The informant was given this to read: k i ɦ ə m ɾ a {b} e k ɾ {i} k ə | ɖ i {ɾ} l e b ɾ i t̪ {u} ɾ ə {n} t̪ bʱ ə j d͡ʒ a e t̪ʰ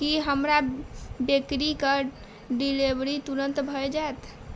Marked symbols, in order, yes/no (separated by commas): yes, yes, no, yes, yes